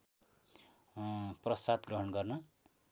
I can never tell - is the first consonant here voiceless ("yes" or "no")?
yes